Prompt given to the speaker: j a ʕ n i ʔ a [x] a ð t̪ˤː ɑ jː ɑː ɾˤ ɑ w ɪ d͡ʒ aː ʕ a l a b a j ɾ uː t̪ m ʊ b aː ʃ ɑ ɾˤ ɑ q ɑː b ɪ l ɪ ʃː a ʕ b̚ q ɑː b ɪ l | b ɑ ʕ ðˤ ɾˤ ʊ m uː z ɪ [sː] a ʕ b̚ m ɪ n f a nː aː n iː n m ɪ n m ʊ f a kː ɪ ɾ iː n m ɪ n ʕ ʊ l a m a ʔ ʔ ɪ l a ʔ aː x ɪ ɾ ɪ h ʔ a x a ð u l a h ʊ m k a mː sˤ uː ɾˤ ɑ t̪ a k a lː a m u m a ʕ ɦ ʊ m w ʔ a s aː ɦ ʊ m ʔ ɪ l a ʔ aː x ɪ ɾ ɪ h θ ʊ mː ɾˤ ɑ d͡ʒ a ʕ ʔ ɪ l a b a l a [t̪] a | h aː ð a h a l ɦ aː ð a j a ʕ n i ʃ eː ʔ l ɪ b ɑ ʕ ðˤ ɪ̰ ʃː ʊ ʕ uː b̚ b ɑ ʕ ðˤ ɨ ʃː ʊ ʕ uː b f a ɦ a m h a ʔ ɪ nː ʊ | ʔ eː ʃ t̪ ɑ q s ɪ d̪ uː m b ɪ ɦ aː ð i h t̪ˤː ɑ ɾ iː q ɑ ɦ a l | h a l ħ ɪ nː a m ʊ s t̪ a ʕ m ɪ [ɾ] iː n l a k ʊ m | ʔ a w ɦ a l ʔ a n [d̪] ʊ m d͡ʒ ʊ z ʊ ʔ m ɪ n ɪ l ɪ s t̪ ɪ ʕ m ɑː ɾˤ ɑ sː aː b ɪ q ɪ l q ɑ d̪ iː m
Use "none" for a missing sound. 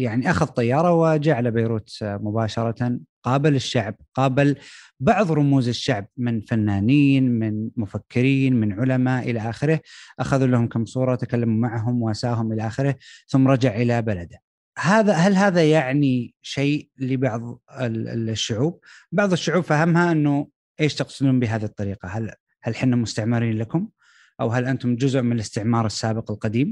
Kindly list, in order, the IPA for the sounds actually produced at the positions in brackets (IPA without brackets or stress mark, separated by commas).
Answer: x, ʃː, d̪, ɾ, t̪